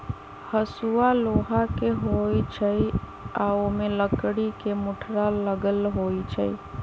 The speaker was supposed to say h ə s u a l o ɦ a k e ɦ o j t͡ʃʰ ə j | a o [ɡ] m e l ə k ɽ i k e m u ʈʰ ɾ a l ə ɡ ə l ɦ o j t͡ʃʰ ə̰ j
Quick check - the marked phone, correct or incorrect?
incorrect